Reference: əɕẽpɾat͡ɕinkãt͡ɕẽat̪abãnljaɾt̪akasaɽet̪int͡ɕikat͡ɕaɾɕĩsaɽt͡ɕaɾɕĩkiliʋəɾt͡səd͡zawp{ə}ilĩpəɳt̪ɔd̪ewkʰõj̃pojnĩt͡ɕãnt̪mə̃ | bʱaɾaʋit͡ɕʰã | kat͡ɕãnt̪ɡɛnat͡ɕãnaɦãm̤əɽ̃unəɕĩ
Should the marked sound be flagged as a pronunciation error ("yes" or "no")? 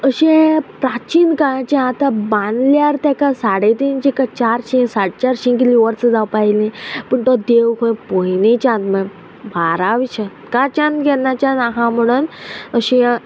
yes